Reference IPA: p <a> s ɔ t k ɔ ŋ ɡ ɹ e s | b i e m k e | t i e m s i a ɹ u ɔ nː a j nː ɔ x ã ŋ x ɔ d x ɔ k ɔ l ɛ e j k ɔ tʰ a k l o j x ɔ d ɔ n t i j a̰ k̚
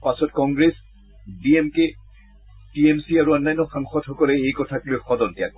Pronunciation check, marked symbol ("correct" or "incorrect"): correct